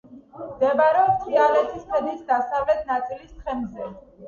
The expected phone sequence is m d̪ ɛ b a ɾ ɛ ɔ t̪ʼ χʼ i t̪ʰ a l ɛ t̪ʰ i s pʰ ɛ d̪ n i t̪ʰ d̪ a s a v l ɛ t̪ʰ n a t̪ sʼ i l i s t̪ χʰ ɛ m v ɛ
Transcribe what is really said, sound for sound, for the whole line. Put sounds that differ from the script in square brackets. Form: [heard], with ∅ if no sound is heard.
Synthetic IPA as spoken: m d̪ ɛ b a ɾ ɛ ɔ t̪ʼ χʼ i [∅] a l ɛ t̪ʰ i s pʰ ɛ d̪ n i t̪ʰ d̪ a s a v l ɛ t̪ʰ n a t̪ sʼ i l i s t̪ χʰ ɛ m [z] ɛ